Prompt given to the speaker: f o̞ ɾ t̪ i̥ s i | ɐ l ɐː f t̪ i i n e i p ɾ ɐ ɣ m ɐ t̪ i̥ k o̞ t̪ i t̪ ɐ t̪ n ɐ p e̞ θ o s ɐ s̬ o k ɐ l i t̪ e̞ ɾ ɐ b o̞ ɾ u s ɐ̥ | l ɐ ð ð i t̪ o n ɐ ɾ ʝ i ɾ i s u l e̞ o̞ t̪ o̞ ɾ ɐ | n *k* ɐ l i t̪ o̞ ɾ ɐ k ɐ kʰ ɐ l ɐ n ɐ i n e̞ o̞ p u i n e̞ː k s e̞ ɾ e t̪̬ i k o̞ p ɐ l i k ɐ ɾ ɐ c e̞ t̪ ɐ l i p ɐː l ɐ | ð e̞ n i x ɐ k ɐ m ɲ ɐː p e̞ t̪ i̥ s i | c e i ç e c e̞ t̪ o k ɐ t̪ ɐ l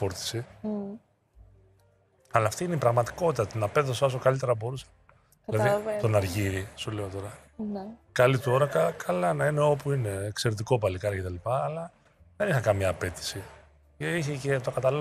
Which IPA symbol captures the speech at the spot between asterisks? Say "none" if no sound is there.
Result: k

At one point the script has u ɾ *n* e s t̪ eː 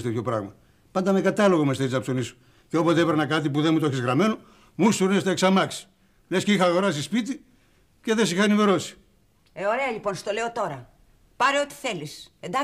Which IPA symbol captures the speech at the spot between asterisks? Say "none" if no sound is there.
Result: n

